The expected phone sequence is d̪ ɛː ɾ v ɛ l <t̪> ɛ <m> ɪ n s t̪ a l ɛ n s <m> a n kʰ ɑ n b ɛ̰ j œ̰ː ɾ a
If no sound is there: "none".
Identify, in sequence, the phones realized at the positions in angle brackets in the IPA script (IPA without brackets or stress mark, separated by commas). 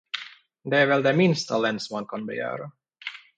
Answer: d̪, m, m